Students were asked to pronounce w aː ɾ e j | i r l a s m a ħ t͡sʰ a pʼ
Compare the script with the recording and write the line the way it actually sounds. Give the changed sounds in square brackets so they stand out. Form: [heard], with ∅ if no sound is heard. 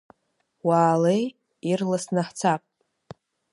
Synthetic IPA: w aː [l] e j | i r l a s [n] a ħ t͡sʰ a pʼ